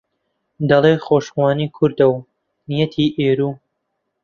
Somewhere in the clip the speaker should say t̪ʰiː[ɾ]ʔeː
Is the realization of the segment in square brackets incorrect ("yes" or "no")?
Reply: yes